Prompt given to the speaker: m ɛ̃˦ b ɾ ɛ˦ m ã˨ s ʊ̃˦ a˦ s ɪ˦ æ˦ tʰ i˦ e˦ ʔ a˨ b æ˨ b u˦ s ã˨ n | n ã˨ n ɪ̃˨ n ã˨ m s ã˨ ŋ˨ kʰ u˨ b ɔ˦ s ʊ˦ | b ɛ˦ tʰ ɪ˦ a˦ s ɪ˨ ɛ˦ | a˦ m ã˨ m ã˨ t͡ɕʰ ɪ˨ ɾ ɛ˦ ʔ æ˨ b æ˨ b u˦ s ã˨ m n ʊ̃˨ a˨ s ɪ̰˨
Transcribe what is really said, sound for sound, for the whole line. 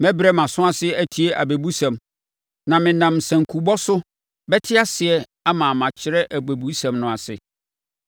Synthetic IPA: m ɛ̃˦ b ɾ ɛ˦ m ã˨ s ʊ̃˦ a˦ s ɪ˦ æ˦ tʰ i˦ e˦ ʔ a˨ b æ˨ b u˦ s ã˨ m | n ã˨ m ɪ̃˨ n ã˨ m s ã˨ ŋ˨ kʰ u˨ b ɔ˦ s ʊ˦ | b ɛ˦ tʰ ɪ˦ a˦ s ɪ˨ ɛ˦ | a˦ m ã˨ m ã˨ t͡ɕʰ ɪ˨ ɾ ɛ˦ ʔ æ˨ b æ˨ b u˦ s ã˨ m n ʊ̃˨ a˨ s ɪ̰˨